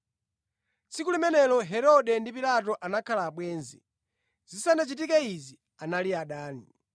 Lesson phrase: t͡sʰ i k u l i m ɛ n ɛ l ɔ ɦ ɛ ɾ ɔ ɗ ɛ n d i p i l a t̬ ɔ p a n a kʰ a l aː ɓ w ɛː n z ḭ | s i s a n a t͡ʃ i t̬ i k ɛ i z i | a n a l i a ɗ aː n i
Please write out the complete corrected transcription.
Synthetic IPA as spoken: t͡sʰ i k u l i m ɛ n ɛ l ɔ ɦ ɛ ɾ ɔ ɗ ɛ n d i p i l a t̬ ɔ ʔ a n a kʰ a l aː ɓ w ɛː n z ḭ | z i s a n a t͡ʃ i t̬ i k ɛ i z i | a n a l i a ɗ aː n i